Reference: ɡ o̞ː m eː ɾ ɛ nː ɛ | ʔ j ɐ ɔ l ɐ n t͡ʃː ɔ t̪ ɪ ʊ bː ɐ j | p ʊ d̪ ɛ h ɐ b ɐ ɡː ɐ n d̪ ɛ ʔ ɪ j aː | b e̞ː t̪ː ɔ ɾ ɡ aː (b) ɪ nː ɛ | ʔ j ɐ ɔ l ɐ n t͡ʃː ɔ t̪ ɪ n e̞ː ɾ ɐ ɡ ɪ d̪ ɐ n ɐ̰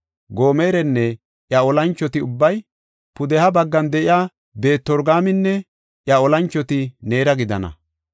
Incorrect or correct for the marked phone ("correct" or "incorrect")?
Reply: incorrect